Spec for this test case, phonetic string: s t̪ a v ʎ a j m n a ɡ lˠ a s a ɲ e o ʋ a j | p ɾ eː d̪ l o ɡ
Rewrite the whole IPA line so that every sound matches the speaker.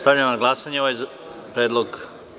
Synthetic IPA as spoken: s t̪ a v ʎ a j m n a ɡ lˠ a s a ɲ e o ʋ a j | p ɾ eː d̪ l o ɡ